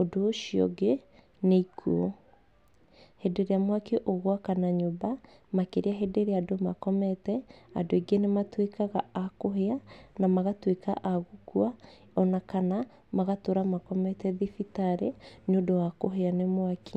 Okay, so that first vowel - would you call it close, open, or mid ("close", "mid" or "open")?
mid